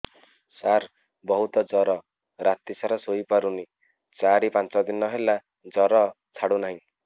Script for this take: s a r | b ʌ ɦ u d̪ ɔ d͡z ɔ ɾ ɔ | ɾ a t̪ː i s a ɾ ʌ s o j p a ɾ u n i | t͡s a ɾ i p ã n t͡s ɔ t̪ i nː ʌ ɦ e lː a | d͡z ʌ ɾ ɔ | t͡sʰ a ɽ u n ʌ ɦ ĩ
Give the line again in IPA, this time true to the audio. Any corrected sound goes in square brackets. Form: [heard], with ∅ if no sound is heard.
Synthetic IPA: s a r | b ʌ ɦ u [t̪] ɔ d͡z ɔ ɾ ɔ | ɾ a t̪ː i s a ɾ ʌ s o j p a ɾ u n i | t͡s a ɾ i p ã n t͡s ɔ [d̪] i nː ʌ ɦ e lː a | d͡z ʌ ɾ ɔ | t͡sʰ a ɽ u n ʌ ɦ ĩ